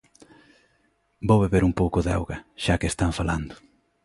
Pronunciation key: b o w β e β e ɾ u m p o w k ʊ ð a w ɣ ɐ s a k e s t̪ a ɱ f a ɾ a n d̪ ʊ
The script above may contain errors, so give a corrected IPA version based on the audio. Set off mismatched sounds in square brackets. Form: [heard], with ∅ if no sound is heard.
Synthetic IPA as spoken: b o w β e β e ɾ u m p o w k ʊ ð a w ɣ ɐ [ʃ] a k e s t̪ a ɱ f a [l] a n d̪ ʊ

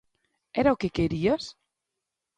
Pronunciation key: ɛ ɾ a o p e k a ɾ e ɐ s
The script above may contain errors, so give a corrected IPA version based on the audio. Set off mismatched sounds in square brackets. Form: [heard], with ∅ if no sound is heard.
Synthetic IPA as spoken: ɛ ɾ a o [k] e k [e] ɾ [i] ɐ s

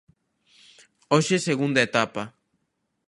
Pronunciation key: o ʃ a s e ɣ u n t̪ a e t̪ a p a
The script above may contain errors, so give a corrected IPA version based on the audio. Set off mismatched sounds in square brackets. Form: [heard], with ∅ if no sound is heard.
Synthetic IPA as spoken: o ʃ [e] s e ɣ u n [d̪] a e t̪ a p a

